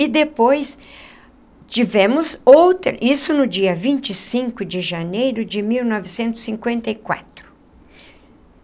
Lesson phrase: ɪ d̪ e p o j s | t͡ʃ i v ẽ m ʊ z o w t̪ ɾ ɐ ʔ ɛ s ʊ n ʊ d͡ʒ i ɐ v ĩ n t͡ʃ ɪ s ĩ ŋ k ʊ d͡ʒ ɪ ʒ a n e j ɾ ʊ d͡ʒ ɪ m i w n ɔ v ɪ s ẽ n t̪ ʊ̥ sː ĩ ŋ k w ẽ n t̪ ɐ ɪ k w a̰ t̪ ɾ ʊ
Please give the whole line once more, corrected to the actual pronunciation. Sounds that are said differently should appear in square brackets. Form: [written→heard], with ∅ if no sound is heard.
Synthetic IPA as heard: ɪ d̪ e p o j s | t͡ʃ i v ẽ m ʊ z o w t̪ ɾ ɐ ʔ [ɛ→i] s ʊ n ʊ d͡ʒ i ɐ v ĩ n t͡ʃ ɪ s ĩ ŋ k ʊ d͡ʒ ɪ ʒ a n e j ɾ ʊ d͡ʒ ɪ m i w n ɔ v ɪ s ẽ n t̪ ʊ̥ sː ĩ ŋ k w ẽ n t̪ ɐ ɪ k w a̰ t̪ ɾ ʊ